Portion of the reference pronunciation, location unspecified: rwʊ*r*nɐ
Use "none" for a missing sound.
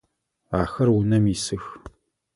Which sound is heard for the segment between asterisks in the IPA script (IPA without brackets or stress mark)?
none